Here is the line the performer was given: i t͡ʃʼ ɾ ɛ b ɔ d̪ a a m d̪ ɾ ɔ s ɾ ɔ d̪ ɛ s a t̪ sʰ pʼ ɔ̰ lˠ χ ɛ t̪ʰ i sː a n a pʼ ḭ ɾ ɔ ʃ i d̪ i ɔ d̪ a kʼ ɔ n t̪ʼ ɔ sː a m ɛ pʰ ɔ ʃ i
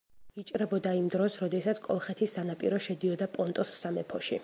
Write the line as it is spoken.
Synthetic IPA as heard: i t͡ʃʼ ɾ ɛ b ɔ d̪ a i m d̪ ɾ ɔ s ɾ ɔ d̪ ɛ s a t̪ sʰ kʼ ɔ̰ lˠ χ ɛ t̪ʰ i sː a n a pʼ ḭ ɾ ɔ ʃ ɛ d̪ i ɔ d̪ a pʼ ɔ n t̪ʼ ɔ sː a m ɛ pʰ ɔ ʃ i